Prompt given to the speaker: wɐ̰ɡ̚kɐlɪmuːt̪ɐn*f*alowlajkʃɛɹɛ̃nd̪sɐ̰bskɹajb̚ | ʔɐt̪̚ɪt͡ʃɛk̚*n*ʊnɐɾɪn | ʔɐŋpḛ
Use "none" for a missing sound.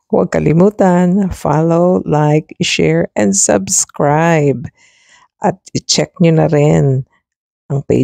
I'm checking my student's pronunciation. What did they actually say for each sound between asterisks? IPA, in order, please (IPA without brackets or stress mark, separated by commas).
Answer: f, ɲ